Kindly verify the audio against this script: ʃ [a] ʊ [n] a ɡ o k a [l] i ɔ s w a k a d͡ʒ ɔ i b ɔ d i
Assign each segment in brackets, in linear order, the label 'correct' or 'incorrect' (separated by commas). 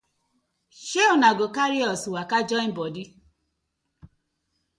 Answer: incorrect, correct, incorrect